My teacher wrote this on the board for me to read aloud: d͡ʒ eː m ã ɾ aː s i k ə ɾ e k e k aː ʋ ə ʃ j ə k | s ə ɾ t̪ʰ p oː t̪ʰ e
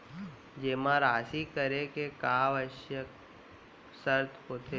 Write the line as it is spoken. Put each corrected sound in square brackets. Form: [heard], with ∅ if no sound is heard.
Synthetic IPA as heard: d͡ʒ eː m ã ɾ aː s i k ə ɾ e k e k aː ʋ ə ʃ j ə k | s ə ɾ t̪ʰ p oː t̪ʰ e

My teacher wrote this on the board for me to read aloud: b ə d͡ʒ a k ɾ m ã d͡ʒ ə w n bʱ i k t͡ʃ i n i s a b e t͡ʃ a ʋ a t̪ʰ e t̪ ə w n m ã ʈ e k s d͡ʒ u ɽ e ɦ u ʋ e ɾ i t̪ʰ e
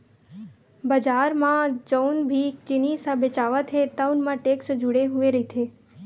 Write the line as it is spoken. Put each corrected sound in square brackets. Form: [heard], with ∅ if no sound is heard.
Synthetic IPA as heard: b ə d͡ʒ a [∅] ɾ m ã d͡ʒ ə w n bʱ i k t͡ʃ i n i s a b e t͡ʃ a ʋ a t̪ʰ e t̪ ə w n m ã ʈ e k s d͡ʒ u ɽ e ɦ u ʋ e ɾ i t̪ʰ e

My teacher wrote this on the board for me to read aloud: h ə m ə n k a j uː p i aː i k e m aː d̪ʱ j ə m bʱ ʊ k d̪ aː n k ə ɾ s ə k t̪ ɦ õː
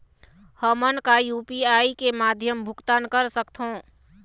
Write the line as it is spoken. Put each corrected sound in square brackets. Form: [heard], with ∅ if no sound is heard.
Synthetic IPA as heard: h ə m ə n k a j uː p i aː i k e m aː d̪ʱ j ə m bʱ ʊ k [t̪] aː n k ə ɾ s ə k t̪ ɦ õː

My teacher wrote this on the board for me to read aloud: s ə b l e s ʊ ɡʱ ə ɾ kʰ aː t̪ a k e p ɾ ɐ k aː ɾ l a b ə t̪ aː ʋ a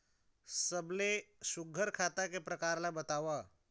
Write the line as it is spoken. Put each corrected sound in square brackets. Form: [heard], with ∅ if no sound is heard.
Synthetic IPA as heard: s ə b l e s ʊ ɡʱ ə ɾ kʰ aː t̪ a k e p ɾ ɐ k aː ɾ l a b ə t̪ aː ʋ a

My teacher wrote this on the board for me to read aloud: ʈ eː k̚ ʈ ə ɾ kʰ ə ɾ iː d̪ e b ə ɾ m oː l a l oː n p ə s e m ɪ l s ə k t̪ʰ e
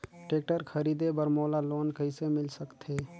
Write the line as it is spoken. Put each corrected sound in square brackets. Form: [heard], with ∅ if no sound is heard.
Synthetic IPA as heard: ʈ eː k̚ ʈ ə ɾ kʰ ə ɾ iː d̪ e b ə ɾ m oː l a l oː n [k] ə s e m ɪ l s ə k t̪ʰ e

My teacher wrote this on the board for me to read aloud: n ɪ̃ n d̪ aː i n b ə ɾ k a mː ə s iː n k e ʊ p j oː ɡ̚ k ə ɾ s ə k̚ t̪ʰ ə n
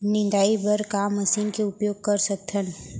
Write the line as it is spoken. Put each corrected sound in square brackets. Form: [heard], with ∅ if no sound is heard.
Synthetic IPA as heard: n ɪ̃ n d̪ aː i [∅] b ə ɾ k a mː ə s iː n k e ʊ p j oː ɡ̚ k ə ɾ s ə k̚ t̪ʰ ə n

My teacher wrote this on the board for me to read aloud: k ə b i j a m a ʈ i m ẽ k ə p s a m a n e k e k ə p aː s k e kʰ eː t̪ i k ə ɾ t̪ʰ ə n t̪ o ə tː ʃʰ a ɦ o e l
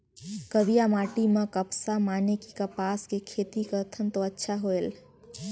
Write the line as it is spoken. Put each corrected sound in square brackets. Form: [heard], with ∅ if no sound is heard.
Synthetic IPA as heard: k ə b i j a m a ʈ i m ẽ k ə p s a m a n e k [i] k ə p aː s k e kʰ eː t̪ i k ə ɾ t̪ʰ ə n t̪ o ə tː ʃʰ a ɦ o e l

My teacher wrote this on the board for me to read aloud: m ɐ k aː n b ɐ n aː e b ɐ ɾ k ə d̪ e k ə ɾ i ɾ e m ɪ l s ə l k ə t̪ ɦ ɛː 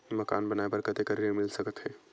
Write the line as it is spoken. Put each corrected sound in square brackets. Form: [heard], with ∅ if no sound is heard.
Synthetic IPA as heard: m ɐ k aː n b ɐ n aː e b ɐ ɾ k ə [t̪] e k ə ɾ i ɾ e m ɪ l s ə [∅] k ə t̪ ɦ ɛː

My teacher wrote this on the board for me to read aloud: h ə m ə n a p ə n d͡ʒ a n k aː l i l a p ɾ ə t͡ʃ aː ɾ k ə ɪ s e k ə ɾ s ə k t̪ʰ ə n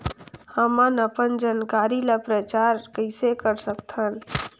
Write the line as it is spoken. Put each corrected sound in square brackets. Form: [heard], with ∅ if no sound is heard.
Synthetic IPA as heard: h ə m ə n [ə] p ə n d͡ʒ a n k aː [ɾ] i l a p ɾ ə t͡ʃ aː ɾ k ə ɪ s e k ə ɾ s ə k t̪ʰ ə n

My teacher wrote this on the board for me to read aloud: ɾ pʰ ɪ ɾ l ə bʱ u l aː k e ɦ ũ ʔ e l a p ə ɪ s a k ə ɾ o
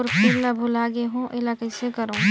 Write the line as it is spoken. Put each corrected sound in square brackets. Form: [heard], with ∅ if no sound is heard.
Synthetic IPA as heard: ɾ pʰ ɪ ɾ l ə bʱ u l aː [ɡ] e ɦ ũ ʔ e l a [k] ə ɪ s [e] k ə ɾ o

